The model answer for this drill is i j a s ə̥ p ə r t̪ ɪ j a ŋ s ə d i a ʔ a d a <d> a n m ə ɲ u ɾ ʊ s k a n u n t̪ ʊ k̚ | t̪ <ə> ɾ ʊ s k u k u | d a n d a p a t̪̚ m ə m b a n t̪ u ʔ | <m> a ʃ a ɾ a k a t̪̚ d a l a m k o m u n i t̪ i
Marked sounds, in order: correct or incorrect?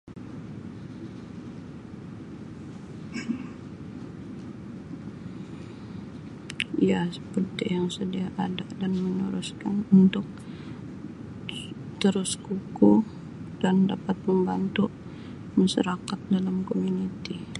correct, correct, correct

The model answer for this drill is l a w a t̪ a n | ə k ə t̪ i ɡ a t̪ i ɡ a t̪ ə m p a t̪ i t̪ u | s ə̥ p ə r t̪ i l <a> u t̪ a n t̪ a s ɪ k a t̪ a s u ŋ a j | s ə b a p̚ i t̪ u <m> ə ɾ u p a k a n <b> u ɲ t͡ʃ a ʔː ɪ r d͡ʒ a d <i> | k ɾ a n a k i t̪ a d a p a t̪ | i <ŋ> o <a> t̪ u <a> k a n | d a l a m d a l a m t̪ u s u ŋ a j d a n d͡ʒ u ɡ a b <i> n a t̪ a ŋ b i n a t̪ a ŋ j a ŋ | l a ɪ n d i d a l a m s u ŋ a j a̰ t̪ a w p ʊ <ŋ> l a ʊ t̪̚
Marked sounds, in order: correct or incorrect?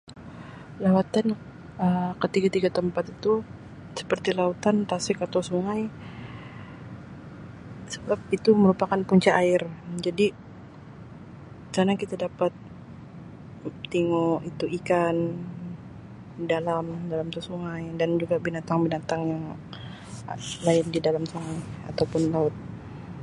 correct, correct, incorrect, correct, correct, incorrect, incorrect, correct, incorrect

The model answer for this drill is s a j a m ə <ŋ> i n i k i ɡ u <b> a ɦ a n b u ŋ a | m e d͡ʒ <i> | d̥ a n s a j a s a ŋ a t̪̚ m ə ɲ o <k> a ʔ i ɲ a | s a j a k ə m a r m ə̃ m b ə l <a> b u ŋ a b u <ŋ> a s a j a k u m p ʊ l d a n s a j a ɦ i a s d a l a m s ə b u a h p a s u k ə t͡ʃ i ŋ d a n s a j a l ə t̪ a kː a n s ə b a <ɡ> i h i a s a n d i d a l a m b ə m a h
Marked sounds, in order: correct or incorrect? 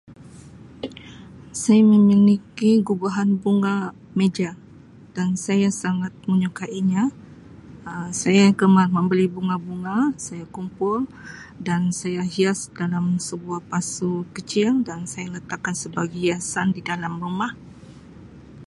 incorrect, correct, incorrect, correct, incorrect, correct, correct

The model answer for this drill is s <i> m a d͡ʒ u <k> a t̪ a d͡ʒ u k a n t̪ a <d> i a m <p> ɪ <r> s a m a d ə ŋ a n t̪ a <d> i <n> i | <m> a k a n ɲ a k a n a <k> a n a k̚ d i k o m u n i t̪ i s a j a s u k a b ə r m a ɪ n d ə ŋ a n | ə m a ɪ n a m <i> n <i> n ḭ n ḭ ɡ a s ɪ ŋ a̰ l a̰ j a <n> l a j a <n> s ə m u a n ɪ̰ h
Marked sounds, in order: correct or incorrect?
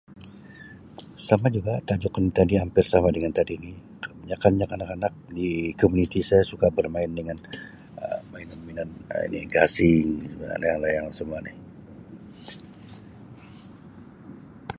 incorrect, incorrect, correct, correct, correct, correct, correct, incorrect, correct, correct, incorrect, incorrect, incorrect

